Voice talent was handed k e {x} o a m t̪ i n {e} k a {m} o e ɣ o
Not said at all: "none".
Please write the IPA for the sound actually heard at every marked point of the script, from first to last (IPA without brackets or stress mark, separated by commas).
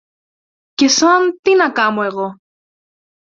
s, a, m